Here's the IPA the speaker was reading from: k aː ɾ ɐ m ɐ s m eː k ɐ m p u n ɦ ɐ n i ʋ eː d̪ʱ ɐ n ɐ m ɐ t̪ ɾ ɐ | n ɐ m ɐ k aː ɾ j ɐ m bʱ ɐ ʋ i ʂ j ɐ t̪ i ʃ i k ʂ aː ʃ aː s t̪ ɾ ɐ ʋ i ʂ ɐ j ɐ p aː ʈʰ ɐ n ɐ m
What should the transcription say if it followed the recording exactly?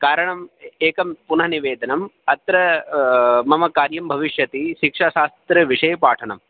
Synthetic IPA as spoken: k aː ɾ ɐ ɳ ɐ m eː k ɐ m p u n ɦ ɐ n i ʋ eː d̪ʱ ɐ n ɐ m ɐ t̪ ɾ ɐ | m ɐ m ɐ k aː ɾ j ɐ m bʱ ɐ ʋ i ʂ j ɐ t̪ i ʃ i k ʂ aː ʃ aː s t̪ ɾ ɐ ʋ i ʂ ɐ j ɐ p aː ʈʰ ɐ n ɐ m

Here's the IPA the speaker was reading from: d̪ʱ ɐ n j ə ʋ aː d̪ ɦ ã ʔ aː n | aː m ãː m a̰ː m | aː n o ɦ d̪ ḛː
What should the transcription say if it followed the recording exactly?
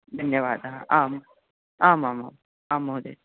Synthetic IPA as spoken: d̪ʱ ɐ n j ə ʋ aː d̪ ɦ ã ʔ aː m | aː m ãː m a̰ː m | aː m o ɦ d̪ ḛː

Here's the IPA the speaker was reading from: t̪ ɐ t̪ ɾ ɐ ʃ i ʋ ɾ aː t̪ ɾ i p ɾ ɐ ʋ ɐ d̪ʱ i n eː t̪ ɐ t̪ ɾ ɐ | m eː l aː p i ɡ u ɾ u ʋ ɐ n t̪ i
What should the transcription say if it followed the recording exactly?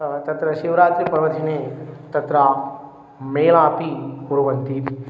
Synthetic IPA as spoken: t̪ ɐ t̪ ɾ ɐ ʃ i ʋ ɾ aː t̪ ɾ i p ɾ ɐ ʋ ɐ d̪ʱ i n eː t̪ ɐ t̪ ɾ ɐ | m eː l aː p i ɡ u ɾ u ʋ ɐ n t̪ i

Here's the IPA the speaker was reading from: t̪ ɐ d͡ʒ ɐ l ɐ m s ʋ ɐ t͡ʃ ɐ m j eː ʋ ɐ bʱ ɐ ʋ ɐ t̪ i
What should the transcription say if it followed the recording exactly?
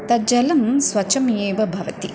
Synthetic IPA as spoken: t̪ ɐ d͡ʒ ɐ l ɐ m s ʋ ɐ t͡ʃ ɐ m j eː ʋ ɐ bʱ ɐ ʋ ɐ t̪ i

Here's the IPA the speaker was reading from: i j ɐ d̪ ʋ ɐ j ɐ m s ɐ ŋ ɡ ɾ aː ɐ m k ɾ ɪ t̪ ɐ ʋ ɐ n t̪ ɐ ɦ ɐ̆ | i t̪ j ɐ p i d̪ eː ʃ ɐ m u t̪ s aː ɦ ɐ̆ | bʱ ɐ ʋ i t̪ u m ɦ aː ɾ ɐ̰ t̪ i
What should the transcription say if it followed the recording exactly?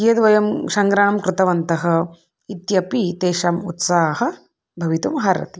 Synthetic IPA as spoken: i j ɐ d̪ ʋ ɐ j ɐ m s ɐ ŋ ɡ ɾ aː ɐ m k ɾ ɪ t̪ ɐ ʋ ɐ n t̪ ɐ ɦ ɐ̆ | i t̪ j ɐ p i t̪ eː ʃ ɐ m u t̪ s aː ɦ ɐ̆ | bʱ ɐ ʋ i t̪ u m ɦ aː ɾ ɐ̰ t̪ i

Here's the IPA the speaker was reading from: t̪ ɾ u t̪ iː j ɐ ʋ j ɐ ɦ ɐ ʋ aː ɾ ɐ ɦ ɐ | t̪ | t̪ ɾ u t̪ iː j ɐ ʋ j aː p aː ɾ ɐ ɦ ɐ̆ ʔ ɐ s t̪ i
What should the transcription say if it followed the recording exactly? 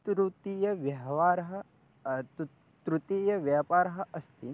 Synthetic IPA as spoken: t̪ ɾ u t̪ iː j ɐ ʋ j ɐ ɦ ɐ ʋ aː ɾ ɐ ɦ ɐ | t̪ | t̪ ɾ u t̪ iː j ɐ ʋ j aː p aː ɾ ɐ ɦ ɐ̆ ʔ ɐ s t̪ i

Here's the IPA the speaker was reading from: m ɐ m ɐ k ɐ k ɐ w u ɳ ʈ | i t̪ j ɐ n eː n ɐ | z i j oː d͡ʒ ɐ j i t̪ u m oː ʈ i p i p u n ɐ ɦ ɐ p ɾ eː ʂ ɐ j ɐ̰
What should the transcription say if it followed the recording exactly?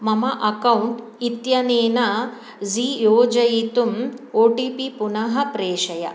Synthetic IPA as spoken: m ɐ m ɐ ʔ ɐ k ɐ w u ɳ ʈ | i t̪ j ɐ n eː n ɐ | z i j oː d͡ʒ ɐ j i t̪ u m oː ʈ i p i p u n ɐ ɦ ɐ p ɾ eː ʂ ɐ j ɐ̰

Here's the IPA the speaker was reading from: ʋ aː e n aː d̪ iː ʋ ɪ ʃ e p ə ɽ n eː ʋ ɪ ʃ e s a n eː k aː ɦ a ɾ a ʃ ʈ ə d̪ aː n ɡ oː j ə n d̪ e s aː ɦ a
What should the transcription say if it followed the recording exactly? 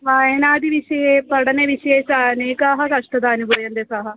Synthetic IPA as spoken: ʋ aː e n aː d̪ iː ʋ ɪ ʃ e p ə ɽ n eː ʋ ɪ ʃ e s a n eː k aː ɦ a ɾ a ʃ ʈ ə d̪ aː n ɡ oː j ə n d̪ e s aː ɦ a

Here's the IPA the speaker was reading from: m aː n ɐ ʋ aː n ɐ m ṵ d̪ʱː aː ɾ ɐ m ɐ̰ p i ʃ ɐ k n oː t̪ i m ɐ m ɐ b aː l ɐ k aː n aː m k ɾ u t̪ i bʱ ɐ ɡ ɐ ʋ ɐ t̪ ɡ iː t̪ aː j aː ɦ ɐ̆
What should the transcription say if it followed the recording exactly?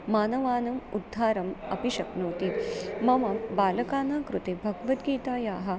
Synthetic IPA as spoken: m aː n ɐ ʋ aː n ɐ m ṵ d̪ʱː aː ɾ ɐ m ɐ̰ p i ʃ ɐ k n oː t̪ i m ɐ m ɐ b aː l ɐ k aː n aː k ɾ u t̪ e bʱ ɐ ɡ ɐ ʋ ɐ t̪ ɡ iː t̪ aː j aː ɦ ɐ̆

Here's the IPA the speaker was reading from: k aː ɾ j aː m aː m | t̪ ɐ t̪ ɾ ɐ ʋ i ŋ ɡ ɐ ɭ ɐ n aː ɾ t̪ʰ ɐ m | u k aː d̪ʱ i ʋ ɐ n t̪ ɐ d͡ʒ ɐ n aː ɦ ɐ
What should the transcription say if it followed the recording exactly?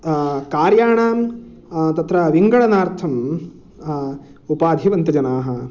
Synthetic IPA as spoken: k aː ɾ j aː ɳ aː m | t̪ ɐ t̪ ɾ ɐ ʋ i ŋ ɡ ɐ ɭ ɐ n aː ɾ t̪ʰ ɐ m | u p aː d̪ʱ i ʋ ɐ n t̪ ɐ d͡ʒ ɐ n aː ɦ ɐ

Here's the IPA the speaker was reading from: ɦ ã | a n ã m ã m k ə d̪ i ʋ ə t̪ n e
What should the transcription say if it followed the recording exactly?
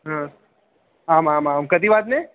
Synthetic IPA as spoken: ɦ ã | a m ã m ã m k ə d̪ i ʋ a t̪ n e

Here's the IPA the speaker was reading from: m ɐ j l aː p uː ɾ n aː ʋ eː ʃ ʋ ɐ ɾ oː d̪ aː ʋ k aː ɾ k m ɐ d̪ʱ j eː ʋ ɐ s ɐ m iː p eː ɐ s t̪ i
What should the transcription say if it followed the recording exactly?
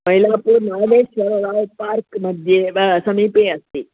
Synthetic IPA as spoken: m ɐ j l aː p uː ɾ n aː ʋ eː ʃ ʋ ɐ ɾ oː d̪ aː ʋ p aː ɾ k m ɐ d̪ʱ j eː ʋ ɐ s ɐ m iː p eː ɐ s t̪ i

